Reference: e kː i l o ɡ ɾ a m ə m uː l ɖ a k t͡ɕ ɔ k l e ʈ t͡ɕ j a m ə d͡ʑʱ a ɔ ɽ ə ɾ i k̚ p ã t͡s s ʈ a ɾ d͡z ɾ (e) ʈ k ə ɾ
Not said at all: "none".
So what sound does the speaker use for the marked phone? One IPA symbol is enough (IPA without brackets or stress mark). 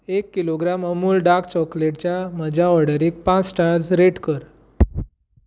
e